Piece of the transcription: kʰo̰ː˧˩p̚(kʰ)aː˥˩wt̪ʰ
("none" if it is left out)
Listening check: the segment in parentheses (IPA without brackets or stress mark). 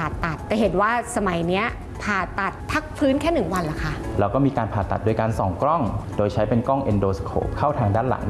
kʰ